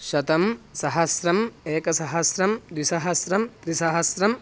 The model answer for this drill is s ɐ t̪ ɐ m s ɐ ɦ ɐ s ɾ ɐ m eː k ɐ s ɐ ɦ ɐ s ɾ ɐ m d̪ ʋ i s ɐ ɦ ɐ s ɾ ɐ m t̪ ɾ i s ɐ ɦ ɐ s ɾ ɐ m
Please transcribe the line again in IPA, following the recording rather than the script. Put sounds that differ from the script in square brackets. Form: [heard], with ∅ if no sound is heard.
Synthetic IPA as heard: [ʃ] ɐ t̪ ɐ m s ɐ ɦ ɐ s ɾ ɐ m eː k ɐ s ɐ ɦ ɐ s ɾ ɐ m d̪ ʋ i s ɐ ɦ ɐ s ɾ ɐ m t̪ ɾ i s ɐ ɦ ɐ s ɾ ɐ m